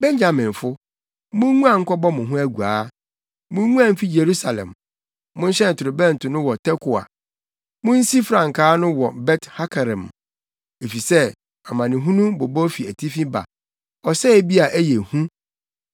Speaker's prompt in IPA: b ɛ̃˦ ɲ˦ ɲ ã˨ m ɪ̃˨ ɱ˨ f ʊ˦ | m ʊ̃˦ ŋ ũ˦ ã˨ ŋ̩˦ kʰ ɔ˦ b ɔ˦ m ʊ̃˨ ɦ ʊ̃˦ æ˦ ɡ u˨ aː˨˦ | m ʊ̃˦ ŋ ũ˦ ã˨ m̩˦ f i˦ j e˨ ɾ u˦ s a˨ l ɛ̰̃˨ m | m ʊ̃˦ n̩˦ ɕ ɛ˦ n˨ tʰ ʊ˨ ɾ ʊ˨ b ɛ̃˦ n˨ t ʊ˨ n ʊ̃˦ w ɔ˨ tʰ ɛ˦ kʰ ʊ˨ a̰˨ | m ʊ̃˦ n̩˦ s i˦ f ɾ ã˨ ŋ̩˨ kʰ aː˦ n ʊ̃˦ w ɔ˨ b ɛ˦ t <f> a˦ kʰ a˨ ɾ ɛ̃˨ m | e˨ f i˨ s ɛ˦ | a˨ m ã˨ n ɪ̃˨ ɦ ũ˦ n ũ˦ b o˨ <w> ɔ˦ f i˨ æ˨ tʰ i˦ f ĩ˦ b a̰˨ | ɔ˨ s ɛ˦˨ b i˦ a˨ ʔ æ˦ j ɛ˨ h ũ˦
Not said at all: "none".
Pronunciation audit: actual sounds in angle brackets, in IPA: h, b

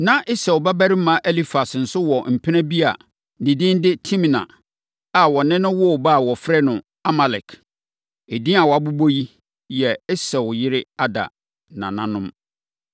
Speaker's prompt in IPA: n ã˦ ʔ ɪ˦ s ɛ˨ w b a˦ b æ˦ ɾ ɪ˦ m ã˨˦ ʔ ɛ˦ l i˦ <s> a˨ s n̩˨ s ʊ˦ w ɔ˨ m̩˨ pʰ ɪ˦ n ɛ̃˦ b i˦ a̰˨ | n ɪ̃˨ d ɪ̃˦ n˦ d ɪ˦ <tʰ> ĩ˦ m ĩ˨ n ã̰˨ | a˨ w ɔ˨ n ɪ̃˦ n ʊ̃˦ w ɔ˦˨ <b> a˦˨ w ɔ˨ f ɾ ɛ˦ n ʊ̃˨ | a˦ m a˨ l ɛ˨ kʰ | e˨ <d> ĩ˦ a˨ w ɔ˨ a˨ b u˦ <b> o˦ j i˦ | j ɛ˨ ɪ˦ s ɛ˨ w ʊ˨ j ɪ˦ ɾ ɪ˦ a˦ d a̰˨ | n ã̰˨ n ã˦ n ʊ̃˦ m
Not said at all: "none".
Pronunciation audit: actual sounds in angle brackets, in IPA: f, tʰ, b, d, b

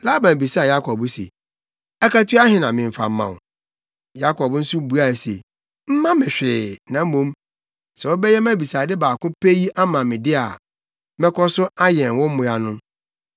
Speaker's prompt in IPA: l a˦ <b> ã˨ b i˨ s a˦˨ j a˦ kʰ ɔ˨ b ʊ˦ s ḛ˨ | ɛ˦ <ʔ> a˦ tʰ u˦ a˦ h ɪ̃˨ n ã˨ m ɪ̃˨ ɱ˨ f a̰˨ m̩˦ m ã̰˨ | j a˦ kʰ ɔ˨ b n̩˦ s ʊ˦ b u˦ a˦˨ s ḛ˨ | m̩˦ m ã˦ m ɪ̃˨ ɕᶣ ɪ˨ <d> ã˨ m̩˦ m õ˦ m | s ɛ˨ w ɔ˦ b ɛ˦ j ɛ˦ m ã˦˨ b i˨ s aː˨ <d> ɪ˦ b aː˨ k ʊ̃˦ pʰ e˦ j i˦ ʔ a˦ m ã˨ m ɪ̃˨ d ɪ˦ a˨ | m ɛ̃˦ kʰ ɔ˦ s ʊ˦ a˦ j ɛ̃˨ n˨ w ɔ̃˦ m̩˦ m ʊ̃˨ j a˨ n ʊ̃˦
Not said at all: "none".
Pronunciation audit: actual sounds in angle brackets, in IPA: b, k, n, d

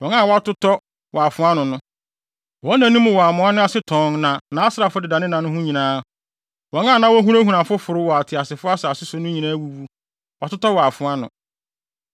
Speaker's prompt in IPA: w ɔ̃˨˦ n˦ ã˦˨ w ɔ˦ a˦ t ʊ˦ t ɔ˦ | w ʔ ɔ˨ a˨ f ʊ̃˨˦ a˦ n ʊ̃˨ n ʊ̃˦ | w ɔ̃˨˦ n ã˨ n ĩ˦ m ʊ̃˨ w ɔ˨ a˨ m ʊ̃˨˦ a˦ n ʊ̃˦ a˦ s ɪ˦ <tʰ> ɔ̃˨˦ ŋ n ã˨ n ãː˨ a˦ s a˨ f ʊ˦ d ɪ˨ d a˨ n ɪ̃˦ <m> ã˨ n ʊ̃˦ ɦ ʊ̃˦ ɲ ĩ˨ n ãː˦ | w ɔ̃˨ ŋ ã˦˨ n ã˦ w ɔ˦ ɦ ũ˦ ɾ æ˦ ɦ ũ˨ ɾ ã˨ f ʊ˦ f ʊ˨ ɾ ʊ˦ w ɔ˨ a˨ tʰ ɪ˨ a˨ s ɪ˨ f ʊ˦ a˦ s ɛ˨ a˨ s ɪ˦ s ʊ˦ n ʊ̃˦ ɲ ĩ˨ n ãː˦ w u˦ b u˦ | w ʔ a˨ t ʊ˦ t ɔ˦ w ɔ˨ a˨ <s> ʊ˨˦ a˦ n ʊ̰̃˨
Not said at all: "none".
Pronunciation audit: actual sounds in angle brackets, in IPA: tʰ, n, f

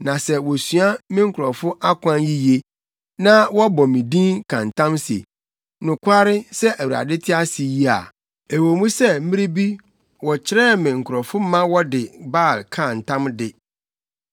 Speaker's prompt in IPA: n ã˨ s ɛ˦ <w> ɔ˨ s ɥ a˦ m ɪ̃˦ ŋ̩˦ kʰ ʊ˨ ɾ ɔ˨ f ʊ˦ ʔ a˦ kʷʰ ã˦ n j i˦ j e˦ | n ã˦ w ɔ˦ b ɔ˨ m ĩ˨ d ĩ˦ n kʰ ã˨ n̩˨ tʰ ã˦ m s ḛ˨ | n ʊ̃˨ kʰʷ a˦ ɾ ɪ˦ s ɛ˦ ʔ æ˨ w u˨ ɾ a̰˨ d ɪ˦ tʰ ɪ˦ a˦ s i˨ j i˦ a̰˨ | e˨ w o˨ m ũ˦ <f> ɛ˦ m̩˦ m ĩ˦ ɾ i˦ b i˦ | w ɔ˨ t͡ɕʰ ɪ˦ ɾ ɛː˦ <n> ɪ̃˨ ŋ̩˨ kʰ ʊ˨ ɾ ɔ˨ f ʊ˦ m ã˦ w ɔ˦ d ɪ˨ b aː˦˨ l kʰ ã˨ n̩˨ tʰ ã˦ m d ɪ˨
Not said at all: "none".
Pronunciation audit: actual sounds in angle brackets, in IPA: w, s, m

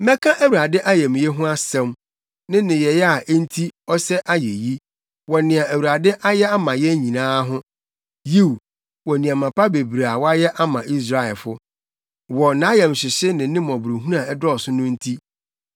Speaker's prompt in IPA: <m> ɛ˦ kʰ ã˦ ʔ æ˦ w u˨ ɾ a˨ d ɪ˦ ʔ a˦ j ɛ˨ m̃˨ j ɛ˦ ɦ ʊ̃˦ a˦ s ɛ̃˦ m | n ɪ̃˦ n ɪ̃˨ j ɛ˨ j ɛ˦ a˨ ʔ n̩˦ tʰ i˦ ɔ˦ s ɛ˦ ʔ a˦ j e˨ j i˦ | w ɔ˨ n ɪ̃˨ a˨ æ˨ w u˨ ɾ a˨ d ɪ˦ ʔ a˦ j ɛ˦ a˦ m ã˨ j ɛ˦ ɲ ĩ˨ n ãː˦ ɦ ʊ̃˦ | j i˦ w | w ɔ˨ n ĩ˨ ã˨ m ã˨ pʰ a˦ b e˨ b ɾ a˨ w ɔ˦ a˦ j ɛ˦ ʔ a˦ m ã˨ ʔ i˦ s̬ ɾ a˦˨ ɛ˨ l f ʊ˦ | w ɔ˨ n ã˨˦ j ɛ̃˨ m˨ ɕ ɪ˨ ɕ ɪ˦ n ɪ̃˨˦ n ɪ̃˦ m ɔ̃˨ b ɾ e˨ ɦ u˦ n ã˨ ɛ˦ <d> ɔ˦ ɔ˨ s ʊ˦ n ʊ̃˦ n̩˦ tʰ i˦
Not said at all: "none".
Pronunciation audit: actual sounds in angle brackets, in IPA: m, d

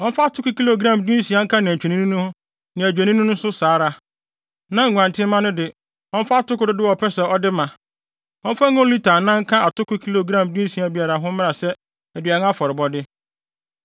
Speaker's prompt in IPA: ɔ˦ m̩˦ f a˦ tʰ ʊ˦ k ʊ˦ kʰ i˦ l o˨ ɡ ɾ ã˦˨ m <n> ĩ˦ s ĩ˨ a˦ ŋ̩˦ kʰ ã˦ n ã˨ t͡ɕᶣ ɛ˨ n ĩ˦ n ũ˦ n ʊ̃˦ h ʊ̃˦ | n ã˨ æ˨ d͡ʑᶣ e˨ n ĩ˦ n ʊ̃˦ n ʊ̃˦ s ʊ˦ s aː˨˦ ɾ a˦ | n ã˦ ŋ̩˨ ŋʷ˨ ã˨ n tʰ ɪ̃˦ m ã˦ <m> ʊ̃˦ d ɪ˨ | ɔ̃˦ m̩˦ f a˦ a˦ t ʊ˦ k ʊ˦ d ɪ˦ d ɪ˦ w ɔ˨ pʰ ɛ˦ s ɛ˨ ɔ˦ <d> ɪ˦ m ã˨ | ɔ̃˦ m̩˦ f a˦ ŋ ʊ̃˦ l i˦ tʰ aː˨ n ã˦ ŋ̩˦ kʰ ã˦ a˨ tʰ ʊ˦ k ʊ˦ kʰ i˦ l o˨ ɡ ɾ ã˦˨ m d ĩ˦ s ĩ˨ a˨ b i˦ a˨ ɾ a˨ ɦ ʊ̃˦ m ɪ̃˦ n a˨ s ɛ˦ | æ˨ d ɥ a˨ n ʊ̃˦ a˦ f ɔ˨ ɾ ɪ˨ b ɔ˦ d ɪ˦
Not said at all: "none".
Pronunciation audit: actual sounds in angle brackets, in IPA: d, n, d

